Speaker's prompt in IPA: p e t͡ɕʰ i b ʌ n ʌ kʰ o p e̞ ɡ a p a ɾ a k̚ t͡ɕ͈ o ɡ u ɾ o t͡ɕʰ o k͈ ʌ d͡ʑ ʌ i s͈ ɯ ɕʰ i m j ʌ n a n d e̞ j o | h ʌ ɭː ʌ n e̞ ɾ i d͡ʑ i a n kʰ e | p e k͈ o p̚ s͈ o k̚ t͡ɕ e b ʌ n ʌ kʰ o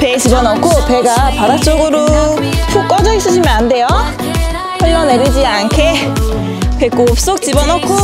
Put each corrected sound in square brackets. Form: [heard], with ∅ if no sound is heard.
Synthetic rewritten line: p e [t͡ɕ] i b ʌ n ʌ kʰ o p e̞ ɡ a p a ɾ a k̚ t͡ɕ͈ o ɡ [ɯ] ɾ o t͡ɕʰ o k͈ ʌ d͡ʑ ʌ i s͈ ɯ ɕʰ i m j ʌ n a n d e̞ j o | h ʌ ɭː ʌ n e̞ ɾ i d͡ʑ i a n kʰ e | p e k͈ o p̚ s͈ o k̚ t͡ɕ [i] b ʌ n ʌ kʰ o